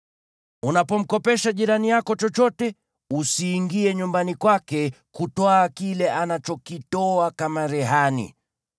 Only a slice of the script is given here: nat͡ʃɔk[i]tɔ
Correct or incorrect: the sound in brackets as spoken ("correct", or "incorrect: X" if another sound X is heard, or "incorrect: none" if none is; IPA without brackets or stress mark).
correct